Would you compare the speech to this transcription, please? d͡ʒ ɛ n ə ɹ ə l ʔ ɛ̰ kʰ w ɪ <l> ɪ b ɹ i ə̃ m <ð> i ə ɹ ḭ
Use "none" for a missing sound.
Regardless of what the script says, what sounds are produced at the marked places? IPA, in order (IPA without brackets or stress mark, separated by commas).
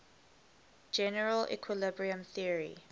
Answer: l, θ